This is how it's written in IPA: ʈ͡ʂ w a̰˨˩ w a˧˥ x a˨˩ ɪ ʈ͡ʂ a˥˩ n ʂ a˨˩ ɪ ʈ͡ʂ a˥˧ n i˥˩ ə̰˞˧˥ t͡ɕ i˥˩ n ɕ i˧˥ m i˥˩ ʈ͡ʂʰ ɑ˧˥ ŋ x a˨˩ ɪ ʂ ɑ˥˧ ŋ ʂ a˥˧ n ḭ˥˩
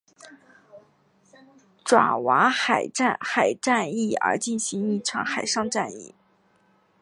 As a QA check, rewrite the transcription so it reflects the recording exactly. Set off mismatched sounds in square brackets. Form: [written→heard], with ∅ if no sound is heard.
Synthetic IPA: ʈ͡ʂ w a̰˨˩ w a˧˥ x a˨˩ ɪ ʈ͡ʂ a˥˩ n [ʂ→x] a˨˩ ɪ ʈ͡ʂ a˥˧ n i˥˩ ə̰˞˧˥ t͡ɕ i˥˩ n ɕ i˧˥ [m→ŋ] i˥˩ ʈ͡ʂʰ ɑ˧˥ ŋ x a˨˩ ɪ ʂ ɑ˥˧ ŋ [ʂ→ʈ͡ʂ] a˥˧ n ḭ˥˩